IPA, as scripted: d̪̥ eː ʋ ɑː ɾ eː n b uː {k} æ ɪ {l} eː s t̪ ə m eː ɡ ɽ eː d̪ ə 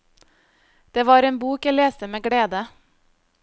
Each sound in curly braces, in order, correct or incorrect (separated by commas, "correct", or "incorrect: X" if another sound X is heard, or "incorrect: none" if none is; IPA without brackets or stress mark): correct, correct